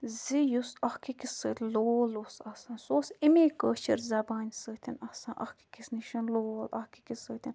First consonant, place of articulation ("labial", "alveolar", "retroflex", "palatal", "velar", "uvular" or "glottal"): alveolar